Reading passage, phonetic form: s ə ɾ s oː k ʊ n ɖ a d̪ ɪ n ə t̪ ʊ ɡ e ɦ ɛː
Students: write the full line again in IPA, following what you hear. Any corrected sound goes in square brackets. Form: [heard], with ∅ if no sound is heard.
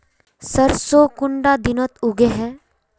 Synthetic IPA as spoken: s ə ɾ s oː k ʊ [ɳ] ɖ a d̪ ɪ n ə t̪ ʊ ɡ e ɦ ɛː

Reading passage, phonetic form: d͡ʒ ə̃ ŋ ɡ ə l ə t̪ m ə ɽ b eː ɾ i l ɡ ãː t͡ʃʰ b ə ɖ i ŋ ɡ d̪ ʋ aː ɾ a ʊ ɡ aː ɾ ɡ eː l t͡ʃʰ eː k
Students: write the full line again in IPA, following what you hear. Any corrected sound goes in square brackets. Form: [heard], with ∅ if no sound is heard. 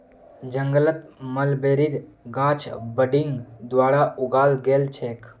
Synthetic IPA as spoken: d͡ʒ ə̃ ŋ ɡ ə l ə t̪ m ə [l] b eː ɾ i [ɾ] ɡ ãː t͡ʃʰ b ə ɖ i ŋ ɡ d̪ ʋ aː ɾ a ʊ ɡ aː [l] ɡ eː l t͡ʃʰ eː k

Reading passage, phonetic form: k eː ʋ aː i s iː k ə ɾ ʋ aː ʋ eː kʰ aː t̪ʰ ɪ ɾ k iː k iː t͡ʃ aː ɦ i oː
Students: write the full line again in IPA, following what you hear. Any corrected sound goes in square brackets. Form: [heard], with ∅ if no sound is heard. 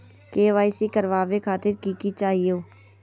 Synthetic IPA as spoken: k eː ʋ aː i s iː k ə ɾ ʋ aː ʋ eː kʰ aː [t̪] ɪ ɾ k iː k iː t͡ʃ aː ɦ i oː

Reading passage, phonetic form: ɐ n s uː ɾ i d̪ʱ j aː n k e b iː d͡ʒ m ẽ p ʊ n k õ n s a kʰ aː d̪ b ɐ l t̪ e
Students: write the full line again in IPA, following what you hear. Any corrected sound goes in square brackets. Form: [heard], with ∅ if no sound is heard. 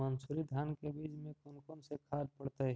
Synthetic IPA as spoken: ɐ n s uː ɾ i d̪ʱ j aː n k e b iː d͡ʒ m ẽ [k] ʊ n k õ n s [e] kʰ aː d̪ [p] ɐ [ɽ] t̪ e

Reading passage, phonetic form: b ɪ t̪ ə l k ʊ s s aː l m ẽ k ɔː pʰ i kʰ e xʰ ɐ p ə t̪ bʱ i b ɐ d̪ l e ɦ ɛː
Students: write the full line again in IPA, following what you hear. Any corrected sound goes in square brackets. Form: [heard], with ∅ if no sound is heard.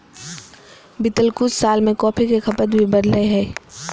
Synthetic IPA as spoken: b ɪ t̪ ə l k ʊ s s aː l m ẽ k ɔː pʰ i [k] e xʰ ɐ p ə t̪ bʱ i b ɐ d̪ l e ɦ ɛː

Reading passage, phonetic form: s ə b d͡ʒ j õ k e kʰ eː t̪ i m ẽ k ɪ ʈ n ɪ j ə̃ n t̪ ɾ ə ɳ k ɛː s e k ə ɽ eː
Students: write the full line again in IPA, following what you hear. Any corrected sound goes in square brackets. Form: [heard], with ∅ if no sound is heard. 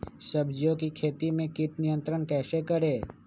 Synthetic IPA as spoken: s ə b d͡ʒ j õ k [i] kʰ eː t̪ i m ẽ k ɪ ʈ n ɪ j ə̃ n t̪ ɾ ə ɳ k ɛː s e k ə [ɾ] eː

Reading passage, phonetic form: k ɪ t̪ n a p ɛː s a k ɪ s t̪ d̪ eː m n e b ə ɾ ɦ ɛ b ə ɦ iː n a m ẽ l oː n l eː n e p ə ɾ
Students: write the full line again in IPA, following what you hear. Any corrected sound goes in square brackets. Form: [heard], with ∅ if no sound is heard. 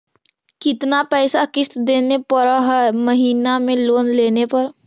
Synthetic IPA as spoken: k ɪ t̪ n a p ɛː s a k ɪ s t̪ d̪ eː [∅] n e [p] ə ɾ ɦ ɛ [m] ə ɦ iː n a m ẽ l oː n l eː n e p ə ɾ

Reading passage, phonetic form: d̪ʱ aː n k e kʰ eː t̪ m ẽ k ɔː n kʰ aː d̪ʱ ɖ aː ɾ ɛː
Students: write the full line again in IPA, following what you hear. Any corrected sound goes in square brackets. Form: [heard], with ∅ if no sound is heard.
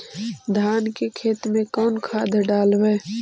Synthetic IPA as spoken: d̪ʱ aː n k e kʰ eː t̪ m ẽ k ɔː n kʰ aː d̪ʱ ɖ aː [l] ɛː

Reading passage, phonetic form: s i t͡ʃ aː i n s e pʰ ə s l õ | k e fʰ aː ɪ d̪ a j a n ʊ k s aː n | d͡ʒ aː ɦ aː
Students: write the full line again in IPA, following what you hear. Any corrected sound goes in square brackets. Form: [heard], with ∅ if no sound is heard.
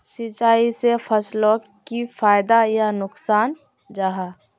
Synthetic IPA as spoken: s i t͡ʃ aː i [∅] s e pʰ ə s l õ | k [i] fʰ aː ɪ d̪ a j a n ʊ k s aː n | d͡ʒ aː ɦ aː

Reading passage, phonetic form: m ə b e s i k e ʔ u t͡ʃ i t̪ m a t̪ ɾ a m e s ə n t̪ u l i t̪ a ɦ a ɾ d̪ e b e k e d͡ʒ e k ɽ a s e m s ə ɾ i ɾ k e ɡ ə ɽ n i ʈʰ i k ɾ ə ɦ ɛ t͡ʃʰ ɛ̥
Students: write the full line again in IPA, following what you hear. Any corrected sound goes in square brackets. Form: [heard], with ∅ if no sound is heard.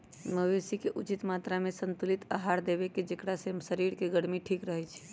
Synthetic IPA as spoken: m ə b e s i k e ʔ u t͡ʃ i t̪ m a t̪ ɾ a m e s ə n t̪ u l i t̪ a ɦ a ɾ d̪ e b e k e d͡ʒ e k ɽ a s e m s ə ɾ i ɾ k e ɡ ə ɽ [m] i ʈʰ i k ɾ ə ɦ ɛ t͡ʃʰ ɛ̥

